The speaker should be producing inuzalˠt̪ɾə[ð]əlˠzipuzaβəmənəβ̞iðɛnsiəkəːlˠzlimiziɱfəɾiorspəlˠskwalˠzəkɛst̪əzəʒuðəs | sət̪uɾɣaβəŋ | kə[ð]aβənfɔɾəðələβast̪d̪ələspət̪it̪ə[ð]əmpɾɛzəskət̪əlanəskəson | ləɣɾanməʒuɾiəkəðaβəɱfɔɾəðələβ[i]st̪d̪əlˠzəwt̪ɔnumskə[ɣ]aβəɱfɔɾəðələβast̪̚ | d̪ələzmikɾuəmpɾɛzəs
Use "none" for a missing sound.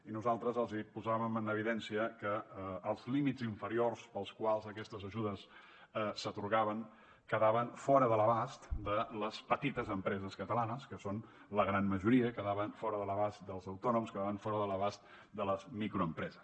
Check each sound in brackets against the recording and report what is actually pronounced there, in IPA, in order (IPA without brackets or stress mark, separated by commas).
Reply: z, ð, z, a, ð